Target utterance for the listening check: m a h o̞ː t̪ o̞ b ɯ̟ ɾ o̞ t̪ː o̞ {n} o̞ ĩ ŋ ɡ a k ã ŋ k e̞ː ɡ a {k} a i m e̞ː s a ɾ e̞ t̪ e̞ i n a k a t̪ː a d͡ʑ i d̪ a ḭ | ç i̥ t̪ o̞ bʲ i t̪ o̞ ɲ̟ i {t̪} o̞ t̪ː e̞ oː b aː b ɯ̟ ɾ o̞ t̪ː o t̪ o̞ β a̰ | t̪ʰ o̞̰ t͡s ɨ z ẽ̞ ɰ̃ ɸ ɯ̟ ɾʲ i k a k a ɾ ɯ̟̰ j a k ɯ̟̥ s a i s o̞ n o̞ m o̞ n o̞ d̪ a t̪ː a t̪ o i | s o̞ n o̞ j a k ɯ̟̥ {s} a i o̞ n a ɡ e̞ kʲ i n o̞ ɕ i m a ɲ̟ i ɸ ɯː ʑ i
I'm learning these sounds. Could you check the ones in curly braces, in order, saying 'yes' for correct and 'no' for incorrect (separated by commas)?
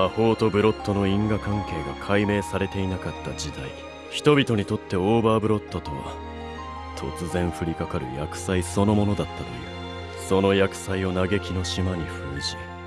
yes, no, yes, yes